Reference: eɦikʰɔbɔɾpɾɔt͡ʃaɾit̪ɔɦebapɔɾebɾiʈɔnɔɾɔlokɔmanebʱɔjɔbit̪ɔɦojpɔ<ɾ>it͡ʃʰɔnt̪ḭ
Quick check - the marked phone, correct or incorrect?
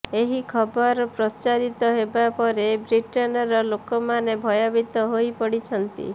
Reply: incorrect: ɽ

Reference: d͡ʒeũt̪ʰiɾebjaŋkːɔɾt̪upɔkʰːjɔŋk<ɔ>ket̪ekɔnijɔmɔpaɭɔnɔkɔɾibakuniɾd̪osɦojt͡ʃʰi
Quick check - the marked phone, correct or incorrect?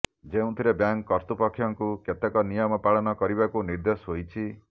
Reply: incorrect: u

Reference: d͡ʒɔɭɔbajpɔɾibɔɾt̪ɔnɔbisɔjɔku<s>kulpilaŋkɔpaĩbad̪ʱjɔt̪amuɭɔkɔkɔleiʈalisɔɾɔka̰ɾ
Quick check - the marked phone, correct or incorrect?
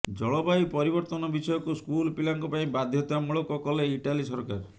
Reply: correct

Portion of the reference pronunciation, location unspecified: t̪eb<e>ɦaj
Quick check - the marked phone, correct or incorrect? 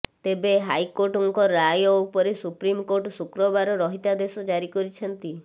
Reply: correct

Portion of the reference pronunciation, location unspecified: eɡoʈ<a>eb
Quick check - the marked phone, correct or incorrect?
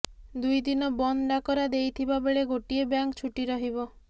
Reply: incorrect: i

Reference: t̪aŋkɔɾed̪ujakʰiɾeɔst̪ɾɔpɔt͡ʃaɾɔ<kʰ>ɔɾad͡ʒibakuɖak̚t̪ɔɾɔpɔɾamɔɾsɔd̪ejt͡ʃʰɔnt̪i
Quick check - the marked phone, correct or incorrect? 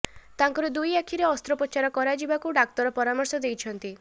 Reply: incorrect: k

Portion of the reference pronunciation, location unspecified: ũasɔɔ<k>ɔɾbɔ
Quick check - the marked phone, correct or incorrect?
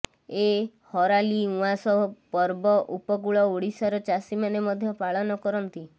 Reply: incorrect: p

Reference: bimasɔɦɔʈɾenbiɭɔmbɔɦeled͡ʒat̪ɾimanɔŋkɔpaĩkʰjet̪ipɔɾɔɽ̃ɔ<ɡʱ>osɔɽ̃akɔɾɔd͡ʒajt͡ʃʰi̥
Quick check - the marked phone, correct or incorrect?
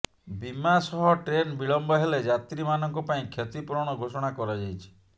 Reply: correct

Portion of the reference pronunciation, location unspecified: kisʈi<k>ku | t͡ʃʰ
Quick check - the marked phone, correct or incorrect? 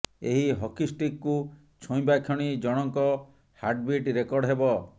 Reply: correct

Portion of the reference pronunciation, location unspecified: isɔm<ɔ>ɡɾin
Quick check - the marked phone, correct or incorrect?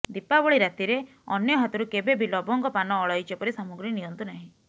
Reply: incorrect: u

